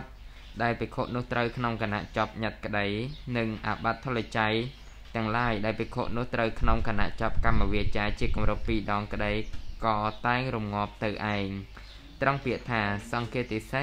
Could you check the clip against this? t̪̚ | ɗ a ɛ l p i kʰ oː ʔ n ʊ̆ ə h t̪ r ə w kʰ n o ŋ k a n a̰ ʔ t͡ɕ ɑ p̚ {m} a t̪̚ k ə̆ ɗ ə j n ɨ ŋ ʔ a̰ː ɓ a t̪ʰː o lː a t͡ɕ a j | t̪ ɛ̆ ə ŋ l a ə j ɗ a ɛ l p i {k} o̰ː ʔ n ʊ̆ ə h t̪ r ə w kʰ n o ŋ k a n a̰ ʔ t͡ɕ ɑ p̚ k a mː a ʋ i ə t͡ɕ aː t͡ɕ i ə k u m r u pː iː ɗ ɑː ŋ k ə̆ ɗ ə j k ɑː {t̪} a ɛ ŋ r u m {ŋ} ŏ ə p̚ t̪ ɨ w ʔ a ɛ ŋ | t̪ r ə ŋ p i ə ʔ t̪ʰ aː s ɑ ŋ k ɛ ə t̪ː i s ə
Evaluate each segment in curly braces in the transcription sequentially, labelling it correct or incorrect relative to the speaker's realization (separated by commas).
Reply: incorrect, incorrect, correct, correct